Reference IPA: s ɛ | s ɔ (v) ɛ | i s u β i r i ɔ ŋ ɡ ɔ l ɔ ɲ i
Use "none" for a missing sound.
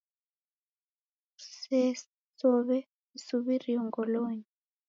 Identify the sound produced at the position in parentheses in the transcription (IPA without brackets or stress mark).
β